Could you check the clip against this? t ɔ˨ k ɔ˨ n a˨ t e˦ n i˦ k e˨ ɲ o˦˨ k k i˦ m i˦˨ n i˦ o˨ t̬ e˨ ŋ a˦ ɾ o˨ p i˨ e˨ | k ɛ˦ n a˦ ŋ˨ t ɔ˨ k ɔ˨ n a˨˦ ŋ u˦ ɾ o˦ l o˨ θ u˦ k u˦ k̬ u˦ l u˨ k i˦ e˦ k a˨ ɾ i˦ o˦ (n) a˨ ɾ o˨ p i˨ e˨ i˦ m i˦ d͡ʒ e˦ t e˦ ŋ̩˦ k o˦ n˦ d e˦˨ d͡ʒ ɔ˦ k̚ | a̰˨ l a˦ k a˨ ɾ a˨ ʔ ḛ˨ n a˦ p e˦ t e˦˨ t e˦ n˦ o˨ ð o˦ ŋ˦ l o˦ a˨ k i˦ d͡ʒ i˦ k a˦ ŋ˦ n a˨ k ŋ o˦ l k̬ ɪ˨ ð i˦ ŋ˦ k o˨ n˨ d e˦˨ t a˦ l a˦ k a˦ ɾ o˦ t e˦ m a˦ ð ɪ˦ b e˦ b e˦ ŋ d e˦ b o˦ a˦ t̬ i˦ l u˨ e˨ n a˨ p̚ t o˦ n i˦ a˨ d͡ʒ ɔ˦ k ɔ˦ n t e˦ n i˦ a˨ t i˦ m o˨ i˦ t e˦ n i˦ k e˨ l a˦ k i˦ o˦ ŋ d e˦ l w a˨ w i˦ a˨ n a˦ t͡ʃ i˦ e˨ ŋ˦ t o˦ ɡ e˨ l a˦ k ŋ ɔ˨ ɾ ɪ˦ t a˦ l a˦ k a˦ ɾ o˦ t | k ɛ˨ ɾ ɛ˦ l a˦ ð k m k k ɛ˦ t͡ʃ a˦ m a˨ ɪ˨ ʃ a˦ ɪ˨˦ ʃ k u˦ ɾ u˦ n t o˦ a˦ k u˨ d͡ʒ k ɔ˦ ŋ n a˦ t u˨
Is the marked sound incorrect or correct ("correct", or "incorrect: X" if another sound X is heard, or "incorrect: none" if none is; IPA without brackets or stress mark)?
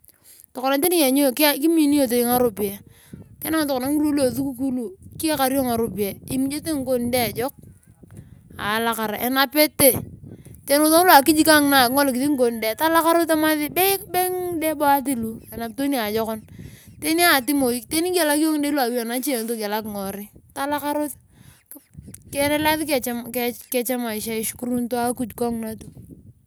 incorrect: ŋ